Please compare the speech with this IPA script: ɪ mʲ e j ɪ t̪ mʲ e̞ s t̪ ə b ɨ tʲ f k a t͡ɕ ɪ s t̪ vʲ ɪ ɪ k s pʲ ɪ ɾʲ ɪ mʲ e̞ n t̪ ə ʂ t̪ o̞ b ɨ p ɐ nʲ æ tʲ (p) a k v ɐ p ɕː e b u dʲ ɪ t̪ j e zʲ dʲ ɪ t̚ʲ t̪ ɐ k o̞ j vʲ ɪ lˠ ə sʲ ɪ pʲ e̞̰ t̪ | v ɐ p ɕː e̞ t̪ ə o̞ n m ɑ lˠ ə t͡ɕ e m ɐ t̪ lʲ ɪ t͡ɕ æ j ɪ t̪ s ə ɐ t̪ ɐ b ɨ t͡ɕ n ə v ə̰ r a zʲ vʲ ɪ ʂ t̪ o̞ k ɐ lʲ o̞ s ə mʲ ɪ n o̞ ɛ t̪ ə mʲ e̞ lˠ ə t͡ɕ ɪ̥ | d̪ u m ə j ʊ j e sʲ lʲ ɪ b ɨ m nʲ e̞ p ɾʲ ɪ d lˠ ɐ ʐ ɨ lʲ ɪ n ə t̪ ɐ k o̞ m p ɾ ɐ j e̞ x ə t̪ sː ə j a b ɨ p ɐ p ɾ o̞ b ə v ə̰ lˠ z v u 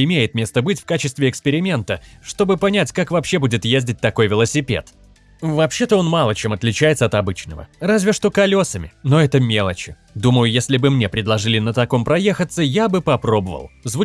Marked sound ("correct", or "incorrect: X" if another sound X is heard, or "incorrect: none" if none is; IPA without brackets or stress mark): incorrect: k